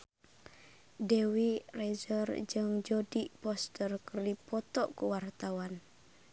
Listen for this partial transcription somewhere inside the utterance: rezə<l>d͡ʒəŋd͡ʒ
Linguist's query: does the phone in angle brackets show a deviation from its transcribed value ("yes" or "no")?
yes